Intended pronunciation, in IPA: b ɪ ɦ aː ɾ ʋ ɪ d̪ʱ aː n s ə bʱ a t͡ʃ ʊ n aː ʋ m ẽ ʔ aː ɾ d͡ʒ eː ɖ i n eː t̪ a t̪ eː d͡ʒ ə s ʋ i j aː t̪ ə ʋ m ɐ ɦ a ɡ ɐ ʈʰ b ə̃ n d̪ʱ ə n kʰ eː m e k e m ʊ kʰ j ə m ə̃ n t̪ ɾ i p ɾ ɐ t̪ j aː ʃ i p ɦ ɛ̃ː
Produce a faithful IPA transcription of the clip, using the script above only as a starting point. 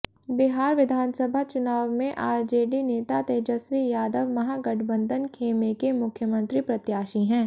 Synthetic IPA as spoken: b ɪ ɦ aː ɾ ʋ ɪ d̪ʱ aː n s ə bʱ a t͡ʃ ʊ n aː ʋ m ẽ ʔ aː ɾ d͡ʒ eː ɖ i n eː t̪ a t̪ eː d͡ʒ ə s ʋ i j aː d̪ ə ʋ m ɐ ɦ a ɡ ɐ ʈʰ b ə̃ n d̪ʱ ə n kʰ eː m e k e m ʊ kʰ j ə m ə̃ n t̪ ɾ i p ɾ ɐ t̪ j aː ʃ i ɦ ɛ̃ː